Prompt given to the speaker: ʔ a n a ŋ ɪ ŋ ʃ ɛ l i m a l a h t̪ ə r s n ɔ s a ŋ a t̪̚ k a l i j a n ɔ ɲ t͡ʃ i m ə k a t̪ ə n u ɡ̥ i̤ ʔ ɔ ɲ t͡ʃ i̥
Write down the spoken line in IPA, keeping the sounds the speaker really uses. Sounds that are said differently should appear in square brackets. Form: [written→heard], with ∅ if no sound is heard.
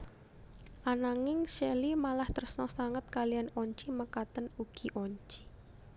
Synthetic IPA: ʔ a n a ŋ ɪ ŋ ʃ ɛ l i m a l a h t̪ ə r s n ɔ s a ŋ [a→ə] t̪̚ k a l i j a n ɔ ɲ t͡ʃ i m ə k a t̪ ə n u ɡ̥ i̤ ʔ ɔ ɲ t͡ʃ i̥